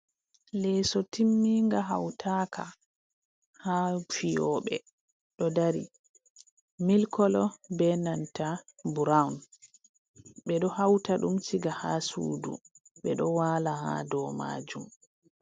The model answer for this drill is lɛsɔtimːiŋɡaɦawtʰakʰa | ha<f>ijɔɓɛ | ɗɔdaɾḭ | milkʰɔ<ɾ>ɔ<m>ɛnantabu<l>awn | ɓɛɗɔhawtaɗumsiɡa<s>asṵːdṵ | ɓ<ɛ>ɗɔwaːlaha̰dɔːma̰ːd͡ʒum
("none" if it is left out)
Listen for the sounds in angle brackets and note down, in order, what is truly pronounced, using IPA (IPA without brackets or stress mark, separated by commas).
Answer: f, l, b, ɾ, h, ɛ